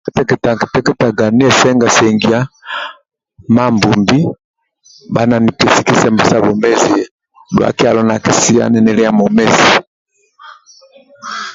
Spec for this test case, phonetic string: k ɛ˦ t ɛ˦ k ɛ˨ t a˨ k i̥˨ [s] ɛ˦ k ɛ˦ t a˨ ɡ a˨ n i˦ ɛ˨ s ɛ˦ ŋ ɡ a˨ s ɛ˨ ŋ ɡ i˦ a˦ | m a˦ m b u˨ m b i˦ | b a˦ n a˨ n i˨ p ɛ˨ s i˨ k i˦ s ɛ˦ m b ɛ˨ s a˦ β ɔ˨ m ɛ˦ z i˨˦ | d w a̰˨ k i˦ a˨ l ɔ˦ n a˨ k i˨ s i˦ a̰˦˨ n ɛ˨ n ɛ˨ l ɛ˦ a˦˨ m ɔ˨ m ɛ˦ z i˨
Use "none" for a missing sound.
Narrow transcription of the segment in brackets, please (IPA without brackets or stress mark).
t